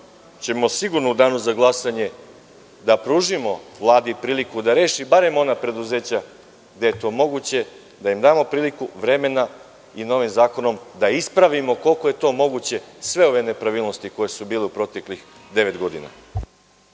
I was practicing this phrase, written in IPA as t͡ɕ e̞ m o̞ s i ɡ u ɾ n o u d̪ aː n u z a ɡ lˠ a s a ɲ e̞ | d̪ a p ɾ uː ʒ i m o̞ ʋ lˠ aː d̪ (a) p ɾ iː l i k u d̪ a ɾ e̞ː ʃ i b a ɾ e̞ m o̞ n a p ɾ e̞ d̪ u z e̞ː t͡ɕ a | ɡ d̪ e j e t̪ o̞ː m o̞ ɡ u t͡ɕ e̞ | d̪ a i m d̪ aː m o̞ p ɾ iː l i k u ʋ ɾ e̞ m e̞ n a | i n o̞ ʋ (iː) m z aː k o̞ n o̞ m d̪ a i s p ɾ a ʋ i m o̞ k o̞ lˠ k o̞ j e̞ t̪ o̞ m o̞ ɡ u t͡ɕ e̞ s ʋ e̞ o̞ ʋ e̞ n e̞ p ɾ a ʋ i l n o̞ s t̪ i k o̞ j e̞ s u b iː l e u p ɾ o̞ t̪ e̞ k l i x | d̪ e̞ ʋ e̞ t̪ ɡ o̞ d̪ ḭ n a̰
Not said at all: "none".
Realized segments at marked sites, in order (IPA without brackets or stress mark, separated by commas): i, i